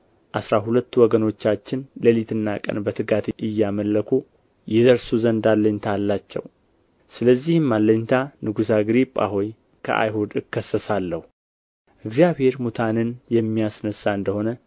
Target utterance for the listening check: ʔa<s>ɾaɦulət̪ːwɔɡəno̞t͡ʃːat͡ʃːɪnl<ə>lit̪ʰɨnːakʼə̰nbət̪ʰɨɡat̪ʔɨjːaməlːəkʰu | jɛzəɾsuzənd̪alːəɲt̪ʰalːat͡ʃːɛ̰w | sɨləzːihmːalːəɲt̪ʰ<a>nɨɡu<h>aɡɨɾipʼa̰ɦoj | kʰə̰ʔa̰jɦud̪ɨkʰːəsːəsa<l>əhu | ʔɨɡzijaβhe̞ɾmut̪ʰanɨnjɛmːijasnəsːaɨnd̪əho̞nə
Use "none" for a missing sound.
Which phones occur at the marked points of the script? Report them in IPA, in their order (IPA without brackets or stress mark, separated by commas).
s, ə, a, s, lː